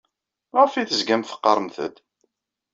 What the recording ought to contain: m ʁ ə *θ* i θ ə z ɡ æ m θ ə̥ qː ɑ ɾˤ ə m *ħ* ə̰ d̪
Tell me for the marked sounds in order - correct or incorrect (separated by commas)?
incorrect, incorrect